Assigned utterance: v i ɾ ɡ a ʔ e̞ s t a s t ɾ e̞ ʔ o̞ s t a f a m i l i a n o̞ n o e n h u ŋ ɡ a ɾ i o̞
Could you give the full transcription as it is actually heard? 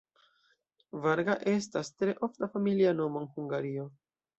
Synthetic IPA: v a ɾ ɡ a ʔ e̞ s t a s t ɾ e̞ ʔ o̞ f t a f a m i l i a n o̞ m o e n h u ŋ ɡ a ɾ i o̞